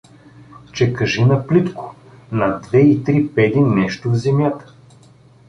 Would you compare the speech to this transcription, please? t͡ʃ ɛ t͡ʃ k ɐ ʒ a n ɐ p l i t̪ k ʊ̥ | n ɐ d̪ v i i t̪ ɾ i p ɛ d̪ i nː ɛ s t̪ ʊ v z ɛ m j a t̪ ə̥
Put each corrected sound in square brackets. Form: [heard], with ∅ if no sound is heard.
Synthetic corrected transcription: t͡ʃ ɛ [∅] k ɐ ʒ [i] n ɐ p l i t̪ k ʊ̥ | n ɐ d̪ v [ɛ] i t̪ ɾ i p ɛ d̪ i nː ɛ [ʃ] t̪ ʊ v z ɛ m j a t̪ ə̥